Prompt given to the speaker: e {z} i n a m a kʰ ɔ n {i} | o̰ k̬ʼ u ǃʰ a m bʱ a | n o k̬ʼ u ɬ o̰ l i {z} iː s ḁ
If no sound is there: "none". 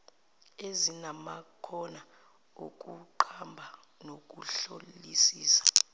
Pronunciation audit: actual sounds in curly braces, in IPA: z, a, s

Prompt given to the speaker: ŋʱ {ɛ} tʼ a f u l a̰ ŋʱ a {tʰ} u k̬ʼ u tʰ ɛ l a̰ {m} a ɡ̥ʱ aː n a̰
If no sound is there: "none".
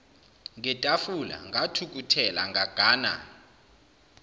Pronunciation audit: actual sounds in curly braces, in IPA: ɛ, tʰ, ŋ

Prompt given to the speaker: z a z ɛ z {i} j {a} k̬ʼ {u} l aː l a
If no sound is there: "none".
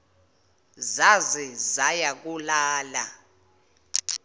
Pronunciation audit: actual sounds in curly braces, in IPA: a, a, u

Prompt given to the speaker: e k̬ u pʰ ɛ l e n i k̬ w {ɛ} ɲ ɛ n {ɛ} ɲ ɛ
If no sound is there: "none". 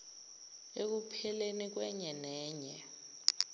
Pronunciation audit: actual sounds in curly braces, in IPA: ɛ, ɛː

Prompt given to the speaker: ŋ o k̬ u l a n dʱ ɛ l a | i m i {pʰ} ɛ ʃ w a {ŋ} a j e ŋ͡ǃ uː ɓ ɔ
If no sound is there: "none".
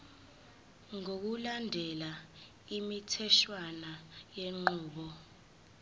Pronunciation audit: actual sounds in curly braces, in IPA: tʰ, n

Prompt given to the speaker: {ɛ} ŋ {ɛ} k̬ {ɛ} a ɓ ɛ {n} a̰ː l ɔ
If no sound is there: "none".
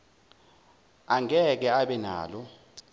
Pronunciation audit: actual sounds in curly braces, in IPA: a, ɛ, ɛ, n

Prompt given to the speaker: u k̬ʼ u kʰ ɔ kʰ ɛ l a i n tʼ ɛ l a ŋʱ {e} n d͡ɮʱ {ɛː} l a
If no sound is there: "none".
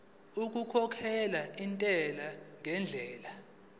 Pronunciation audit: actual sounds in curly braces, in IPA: ɛ, ɛː

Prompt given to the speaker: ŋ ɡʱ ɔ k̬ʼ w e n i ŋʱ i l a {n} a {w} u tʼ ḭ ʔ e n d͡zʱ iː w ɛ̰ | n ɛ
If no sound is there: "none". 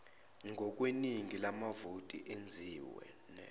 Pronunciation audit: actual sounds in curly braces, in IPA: m, v

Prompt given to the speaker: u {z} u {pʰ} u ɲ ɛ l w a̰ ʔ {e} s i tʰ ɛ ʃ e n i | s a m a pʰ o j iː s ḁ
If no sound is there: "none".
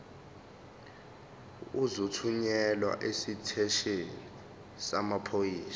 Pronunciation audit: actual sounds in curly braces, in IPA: z, tʰ, e

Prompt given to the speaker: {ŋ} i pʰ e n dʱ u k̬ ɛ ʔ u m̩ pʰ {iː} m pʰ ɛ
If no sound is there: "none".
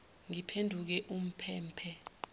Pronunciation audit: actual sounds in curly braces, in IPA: ŋ, ɛː

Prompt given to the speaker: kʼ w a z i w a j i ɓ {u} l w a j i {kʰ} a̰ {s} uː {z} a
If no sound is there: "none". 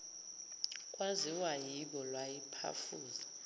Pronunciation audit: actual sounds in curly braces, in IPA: ɔ, pʰ, f, z

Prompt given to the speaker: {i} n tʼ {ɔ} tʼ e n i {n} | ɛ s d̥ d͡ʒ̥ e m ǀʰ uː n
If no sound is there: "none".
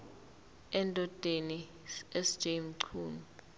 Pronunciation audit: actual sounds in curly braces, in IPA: ɛ, ɔ, none

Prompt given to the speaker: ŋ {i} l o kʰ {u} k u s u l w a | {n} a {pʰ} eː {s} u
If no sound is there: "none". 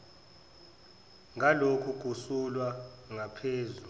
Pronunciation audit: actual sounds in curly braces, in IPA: a, u, ŋ, pʰ, z

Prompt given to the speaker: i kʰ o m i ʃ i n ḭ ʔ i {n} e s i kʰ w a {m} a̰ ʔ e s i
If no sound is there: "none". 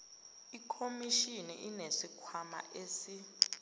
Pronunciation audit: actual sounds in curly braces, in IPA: n, m

